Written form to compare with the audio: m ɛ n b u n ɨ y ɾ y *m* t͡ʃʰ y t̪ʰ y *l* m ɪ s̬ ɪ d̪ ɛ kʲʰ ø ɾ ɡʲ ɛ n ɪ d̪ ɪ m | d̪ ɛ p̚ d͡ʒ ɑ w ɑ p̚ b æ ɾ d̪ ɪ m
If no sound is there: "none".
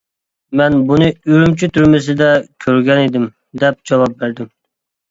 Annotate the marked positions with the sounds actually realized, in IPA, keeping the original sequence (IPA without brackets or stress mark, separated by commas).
m, ɾ